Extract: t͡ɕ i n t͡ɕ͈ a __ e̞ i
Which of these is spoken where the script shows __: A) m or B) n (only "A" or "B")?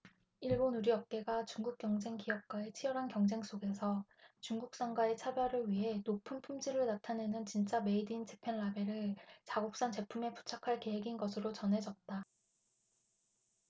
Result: A